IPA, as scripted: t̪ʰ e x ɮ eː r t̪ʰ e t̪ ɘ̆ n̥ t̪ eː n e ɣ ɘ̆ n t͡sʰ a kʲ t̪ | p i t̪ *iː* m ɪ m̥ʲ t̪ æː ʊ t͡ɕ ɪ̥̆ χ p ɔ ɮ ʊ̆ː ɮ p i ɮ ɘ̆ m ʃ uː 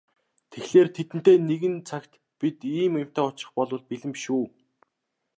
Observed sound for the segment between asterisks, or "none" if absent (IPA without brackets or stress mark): iː